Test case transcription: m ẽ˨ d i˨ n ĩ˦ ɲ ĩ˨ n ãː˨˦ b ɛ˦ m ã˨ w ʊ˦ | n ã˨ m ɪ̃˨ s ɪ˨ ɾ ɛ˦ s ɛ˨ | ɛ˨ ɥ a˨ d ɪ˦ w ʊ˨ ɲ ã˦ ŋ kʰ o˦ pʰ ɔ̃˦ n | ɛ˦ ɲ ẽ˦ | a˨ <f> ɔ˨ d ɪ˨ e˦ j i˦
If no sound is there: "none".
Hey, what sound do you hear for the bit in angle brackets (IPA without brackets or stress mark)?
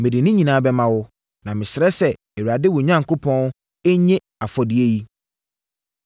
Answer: f